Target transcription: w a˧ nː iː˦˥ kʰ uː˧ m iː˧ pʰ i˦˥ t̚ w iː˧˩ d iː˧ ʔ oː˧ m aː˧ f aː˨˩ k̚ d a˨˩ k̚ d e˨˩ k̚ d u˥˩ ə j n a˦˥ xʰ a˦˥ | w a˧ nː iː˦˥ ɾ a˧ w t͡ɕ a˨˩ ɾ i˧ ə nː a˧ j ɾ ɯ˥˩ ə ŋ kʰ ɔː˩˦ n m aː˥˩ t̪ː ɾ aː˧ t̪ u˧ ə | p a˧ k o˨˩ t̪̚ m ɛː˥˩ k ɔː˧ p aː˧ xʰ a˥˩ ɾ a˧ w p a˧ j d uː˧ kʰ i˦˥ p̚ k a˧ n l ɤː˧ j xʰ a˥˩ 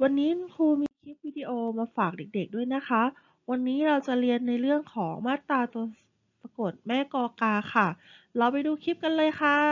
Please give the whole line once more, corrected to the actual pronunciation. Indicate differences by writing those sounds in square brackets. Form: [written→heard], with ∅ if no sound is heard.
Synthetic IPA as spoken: w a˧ nː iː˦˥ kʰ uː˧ m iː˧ [pʰ→kʰ] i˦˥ [t̚→p̚] w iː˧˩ d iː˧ ʔ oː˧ m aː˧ f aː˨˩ k̚ d [a˨˩→e˨˩] k̚ d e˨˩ k̚ d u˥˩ ə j n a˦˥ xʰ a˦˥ | w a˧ nː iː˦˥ ɾ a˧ w t͡ɕ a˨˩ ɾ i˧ ə nː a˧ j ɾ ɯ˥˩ ə ŋ kʰ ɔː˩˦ [n→ŋ] m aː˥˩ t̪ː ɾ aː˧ t̪ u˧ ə | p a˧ k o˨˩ t̪̚ m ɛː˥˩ k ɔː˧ [p→k] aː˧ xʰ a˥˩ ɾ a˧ w p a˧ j d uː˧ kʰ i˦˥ p̚ k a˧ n l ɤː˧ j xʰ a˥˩